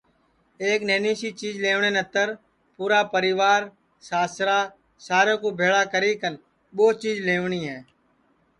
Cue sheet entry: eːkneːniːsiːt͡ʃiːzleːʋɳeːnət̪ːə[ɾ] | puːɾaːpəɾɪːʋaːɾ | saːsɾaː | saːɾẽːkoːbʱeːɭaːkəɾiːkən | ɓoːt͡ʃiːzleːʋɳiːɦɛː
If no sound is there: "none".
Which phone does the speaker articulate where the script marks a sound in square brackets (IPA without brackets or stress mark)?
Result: ɾ